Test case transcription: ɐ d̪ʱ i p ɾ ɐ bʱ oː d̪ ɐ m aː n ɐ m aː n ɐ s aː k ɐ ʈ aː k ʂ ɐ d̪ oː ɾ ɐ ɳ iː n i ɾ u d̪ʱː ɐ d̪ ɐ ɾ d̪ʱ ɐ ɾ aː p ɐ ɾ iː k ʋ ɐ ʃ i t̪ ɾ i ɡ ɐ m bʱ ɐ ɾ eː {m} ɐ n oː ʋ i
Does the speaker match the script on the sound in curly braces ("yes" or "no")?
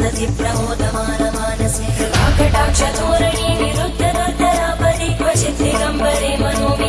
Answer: yes